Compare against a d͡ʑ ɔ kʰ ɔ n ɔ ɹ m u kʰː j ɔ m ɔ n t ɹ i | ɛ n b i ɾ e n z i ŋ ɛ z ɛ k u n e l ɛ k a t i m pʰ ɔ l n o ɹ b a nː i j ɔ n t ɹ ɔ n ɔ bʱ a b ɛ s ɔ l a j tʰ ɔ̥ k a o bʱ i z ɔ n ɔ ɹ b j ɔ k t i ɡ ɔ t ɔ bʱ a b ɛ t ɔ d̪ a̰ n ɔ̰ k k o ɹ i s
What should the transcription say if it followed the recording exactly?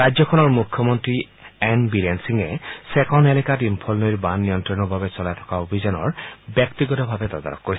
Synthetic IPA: a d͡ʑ ɔ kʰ ɔ n ɔ ɹ m u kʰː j ɔ m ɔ n t ɹ i | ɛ n b i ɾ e n s i ŋ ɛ s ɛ k ɔ n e l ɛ k a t i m pʰ ɔ l n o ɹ b a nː i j ɔ n t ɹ ɔ n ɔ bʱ a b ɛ s ɔ l a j tʰ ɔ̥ k a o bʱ i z ɔ n ɔ ɹ b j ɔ k t i ɡ ɔ t ɔ bʱ a b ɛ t ɔ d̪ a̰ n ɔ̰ k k o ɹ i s